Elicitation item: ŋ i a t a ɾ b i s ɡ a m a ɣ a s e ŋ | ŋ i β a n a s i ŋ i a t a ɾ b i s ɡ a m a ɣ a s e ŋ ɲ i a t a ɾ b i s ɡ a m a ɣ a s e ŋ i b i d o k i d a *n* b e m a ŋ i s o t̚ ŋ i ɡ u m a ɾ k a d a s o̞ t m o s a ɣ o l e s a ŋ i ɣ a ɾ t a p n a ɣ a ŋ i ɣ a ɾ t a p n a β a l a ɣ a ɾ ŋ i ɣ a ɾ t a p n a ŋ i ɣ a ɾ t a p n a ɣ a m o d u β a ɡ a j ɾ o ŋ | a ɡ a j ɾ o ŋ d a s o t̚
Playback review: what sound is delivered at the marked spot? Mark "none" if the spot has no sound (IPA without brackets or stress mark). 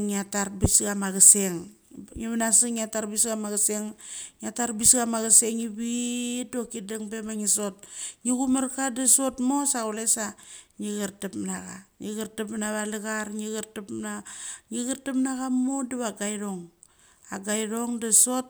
ŋ